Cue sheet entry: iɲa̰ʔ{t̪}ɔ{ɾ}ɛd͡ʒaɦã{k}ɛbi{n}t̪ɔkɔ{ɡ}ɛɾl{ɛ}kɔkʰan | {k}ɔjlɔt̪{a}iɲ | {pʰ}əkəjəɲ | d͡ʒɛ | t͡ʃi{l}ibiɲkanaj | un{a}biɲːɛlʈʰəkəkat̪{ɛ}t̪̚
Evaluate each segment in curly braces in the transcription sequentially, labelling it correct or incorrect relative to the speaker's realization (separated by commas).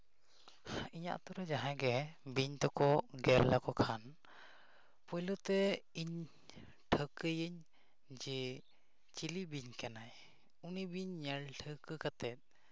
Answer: correct, correct, incorrect, incorrect, correct, incorrect, incorrect, incorrect, incorrect, correct, incorrect, correct